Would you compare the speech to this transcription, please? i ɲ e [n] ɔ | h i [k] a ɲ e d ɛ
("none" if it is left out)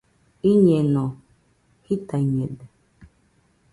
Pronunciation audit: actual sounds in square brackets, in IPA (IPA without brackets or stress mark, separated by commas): n, t